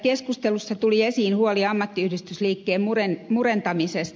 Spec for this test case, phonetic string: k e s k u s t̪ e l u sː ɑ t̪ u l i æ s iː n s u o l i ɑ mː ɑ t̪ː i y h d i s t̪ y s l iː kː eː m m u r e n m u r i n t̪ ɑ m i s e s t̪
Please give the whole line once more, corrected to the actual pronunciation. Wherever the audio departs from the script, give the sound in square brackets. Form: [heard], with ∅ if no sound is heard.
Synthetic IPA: k e s k u s t̪ e l u sː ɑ t̪ u l i [e] s iː n [h] u o l i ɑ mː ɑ t̪ː i y h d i s t̪ y s l iː kː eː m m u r e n m u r [e] n t̪ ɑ m i s e s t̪